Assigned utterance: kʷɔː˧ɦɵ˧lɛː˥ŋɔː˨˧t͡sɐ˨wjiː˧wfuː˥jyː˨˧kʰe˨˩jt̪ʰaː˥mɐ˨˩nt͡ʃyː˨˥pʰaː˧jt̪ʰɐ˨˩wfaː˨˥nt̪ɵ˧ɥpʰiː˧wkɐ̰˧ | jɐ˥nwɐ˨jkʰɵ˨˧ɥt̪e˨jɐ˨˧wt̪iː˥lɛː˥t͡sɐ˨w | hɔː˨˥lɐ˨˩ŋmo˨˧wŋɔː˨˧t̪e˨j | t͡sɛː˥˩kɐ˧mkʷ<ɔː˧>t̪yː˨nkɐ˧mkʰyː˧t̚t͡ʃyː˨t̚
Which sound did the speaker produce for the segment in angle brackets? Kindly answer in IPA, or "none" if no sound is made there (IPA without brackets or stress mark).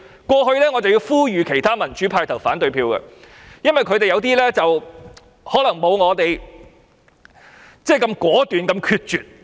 ɔː˨˥